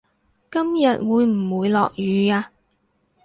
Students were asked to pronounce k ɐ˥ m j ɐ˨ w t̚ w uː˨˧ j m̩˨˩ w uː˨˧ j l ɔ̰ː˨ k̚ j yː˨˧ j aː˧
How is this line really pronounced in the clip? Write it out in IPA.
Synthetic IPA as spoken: k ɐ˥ m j ɐ˨ t̚ w uː˨˧ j m̩˨˩ w uː˨˧ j l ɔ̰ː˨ k̚ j yː˨˧ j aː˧